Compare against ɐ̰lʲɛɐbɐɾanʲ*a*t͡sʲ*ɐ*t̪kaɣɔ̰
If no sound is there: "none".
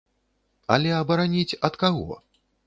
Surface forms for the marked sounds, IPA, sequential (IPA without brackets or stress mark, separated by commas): i, ɐ